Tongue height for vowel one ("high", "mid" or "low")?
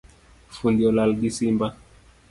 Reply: high